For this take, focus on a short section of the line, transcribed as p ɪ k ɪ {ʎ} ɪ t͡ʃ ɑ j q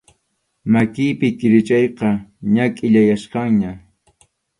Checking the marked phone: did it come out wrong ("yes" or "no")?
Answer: yes